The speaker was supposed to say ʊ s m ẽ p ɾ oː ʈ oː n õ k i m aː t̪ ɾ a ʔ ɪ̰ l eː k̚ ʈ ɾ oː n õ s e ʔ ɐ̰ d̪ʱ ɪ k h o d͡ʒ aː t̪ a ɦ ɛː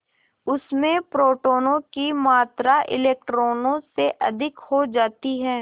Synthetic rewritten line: ʊ s m ẽ p ɾ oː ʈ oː n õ k i m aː t̪ ɾ a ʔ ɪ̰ l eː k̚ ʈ ɾ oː n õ s e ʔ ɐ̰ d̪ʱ ɪ k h o d͡ʒ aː t̪ i ɦ ɛː